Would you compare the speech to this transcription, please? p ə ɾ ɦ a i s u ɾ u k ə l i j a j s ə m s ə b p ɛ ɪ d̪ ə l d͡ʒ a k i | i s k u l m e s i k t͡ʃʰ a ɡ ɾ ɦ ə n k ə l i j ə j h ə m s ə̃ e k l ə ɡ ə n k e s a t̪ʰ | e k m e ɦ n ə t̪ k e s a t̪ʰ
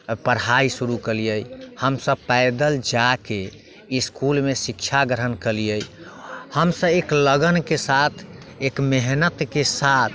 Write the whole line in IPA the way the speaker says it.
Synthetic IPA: p ə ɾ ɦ a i s u ɾ u k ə l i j ə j h ə m s ə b p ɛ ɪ d̪ ə l d͡ʒ a k e | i s k u l m e s i k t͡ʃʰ a ɡ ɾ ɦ ə n k ə l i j ə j h ə m s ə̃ e k l ə ɡ ə n k e s a t̪ʰ | e k m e ɦ n ə t̪ k e s a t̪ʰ